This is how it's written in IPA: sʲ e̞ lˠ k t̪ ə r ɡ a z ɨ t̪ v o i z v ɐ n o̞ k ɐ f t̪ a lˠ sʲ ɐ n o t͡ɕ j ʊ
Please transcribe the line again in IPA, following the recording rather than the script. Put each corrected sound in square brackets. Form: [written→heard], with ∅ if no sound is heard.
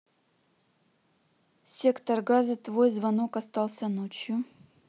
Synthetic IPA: sʲ e̞ [lˠ→∅] k t̪ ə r ɡ a z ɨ t̪ v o [i→j] z v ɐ n o̞ k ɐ [f→s] t̪ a lˠ sʲ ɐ n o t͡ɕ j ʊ

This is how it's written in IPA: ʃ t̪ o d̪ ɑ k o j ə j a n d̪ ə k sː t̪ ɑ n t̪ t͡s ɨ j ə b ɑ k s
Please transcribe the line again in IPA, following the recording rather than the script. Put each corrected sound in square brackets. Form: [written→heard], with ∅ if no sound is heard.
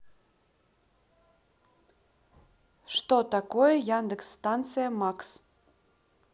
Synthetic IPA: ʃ t̪ o [d̪→t̪] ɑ k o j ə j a n d̪ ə k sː t̪ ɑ n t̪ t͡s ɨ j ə [b→m] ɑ k s

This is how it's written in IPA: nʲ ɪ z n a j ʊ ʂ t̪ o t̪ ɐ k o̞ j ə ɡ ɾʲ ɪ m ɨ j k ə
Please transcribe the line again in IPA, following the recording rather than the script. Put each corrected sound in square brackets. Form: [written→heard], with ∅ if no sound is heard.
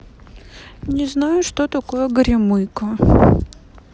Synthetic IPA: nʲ ɪ z n a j ʊ ʂ t̪ o t̪ ɐ k o̞ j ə ɡ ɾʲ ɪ m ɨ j k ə

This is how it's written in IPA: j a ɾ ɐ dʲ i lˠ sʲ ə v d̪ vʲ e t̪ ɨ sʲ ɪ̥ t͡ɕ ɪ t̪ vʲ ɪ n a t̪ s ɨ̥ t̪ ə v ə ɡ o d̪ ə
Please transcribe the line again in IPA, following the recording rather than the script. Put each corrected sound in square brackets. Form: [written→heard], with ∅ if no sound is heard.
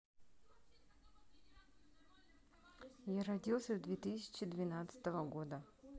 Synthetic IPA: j a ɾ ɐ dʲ i lˠ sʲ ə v d̪ vʲ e t̪ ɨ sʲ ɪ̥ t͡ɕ ɪ [t̪→d̪] vʲ ɪ n a t̪ s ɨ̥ t̪ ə v ə ɡ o d̪ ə

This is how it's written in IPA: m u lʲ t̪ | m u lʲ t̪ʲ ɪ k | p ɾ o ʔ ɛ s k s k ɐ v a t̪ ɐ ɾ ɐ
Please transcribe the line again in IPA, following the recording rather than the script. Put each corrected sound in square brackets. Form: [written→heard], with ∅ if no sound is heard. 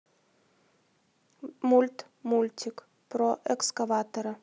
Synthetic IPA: m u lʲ t̪ | m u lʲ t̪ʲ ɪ k | p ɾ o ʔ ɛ [s→∅] k s k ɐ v a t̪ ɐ ɾ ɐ

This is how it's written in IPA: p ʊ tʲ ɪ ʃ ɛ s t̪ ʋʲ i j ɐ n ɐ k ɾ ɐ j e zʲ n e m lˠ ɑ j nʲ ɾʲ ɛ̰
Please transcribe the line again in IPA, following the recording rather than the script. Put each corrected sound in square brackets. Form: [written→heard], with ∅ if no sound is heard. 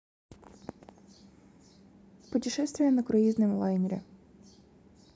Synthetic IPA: p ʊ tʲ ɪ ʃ ɛ s t̪ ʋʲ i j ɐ n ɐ k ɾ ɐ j [e→i] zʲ n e m lˠ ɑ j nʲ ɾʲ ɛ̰

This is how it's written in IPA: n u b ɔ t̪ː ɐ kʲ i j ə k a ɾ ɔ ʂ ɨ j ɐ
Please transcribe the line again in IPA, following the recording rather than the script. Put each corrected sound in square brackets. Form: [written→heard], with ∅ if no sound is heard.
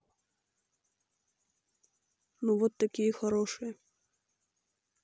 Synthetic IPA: n u [b→v] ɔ t̪ː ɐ kʲ i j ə [k→x] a ɾ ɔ ʂ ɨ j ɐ

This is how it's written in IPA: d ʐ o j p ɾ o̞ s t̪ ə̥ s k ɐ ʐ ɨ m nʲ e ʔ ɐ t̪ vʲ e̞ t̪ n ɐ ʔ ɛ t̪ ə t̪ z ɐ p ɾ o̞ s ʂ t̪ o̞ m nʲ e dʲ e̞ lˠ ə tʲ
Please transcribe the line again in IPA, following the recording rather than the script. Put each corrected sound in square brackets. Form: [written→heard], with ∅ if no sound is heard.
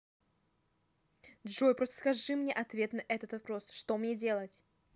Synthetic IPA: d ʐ o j p ɾ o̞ s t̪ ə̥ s k ɐ ʐ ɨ m nʲ e ʔ ɐ t̪ vʲ e̞ t̪ n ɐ ʔ ɛ t̪ ə t̪ [z→v] ɐ p ɾ o̞ s ʂ t̪ o̞ m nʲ e dʲ e̞ lˠ ə tʲ

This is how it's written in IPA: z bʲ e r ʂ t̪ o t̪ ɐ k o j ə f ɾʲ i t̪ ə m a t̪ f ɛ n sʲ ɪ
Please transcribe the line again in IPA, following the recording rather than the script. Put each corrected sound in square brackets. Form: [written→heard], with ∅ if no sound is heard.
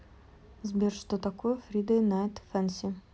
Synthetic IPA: z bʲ e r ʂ t̪ o t̪ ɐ k o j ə f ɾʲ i [t̪→d̪] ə [m→n] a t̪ f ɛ n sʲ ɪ

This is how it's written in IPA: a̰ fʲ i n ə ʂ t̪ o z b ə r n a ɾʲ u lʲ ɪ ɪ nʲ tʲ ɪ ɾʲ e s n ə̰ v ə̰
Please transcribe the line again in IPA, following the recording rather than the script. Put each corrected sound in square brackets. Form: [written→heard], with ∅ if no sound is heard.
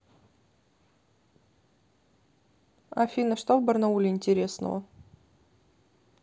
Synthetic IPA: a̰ fʲ i n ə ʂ t̪ o [z→v] b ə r n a [ɾʲ→∅] u lʲ ɪ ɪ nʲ tʲ ɪ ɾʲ e s n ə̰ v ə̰

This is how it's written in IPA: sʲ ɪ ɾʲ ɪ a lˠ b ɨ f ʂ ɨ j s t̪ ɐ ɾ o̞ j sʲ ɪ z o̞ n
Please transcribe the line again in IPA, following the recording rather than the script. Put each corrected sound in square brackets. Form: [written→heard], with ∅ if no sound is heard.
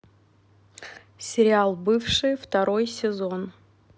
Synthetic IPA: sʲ ɪ ɾʲ ɪ a lˠ b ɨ f ʂ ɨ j [s→f] t̪ ɐ ɾ o̞ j sʲ ɪ z o̞ n

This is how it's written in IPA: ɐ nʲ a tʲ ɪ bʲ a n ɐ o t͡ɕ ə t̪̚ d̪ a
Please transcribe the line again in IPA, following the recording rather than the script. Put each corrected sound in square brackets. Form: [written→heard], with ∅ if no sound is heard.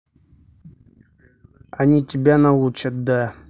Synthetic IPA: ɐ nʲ [a→i] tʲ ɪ bʲ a n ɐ [o→u] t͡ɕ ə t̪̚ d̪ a

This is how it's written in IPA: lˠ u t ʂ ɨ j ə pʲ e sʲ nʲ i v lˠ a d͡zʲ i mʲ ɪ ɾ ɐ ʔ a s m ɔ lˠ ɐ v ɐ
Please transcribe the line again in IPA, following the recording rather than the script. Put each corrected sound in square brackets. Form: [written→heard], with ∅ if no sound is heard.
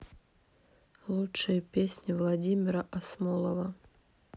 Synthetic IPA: lˠ u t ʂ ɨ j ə pʲ e sʲ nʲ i v lˠ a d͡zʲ i mʲ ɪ ɾ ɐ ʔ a s m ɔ lˠ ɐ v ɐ

